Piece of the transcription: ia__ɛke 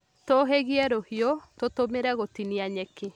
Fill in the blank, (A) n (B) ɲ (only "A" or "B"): B